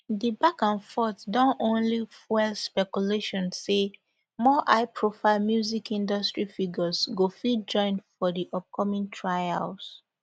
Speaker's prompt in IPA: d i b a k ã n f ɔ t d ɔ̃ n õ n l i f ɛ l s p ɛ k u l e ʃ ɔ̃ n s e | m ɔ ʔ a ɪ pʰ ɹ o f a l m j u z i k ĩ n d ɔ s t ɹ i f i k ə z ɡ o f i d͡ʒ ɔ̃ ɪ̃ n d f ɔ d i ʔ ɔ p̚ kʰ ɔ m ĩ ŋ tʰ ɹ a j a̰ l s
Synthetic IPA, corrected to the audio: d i b a k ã n f ɔ t d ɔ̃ n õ n l i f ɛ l s p ɛ k u l e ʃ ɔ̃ n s e | m ɔ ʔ a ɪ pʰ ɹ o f a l m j u z i k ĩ n d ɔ s t ɹ i f i ɡ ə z ɡ o f i d͡ʒ ɔ̃ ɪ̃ n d f ɔ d i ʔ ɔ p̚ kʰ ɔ m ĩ ŋ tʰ ɹ a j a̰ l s